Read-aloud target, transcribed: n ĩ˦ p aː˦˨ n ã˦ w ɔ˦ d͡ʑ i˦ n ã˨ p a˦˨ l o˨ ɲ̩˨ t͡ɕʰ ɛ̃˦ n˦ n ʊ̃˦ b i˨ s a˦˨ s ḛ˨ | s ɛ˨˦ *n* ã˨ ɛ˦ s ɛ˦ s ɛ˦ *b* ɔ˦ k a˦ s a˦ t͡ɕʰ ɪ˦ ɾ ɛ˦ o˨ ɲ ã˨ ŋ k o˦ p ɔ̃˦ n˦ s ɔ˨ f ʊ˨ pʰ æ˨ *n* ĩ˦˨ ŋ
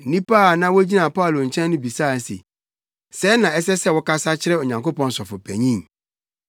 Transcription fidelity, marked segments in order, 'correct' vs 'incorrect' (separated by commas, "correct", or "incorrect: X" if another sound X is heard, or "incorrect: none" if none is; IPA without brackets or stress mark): correct, incorrect: w, incorrect: ɲ